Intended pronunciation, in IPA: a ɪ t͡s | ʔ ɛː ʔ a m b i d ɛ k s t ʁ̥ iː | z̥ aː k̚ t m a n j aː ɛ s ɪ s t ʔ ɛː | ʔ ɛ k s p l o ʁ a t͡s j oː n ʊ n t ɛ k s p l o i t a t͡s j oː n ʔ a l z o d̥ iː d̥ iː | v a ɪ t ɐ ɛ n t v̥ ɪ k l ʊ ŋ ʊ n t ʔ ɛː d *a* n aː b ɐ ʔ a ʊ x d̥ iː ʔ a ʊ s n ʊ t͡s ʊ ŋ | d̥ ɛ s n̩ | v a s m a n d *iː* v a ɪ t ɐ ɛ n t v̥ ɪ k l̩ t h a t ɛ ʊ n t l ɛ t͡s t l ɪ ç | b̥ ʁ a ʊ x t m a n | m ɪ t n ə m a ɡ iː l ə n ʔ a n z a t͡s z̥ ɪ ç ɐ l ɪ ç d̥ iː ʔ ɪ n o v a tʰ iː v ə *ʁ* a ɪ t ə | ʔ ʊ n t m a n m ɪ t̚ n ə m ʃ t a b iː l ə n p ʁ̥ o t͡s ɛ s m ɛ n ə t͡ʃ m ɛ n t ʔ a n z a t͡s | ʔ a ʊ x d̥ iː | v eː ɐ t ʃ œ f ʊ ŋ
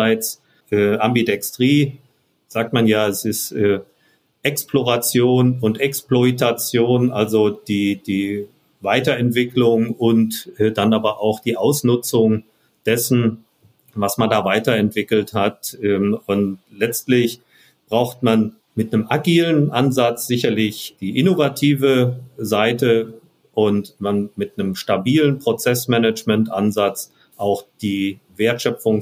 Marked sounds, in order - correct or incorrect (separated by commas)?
correct, incorrect, incorrect